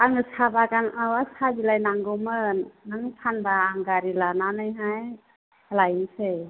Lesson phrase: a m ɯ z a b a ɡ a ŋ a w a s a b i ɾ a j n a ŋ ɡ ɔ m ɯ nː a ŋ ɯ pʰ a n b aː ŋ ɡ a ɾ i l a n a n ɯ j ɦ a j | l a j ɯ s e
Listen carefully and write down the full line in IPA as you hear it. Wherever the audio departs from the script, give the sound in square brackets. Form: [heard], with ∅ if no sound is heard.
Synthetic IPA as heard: a [ŋ] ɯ [s] a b a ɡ a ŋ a w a s a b i [l] a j n a ŋ ɡ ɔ m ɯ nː a ŋ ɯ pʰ a n b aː ŋ ɡ a ɾ i l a n a n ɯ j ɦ a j | l a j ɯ s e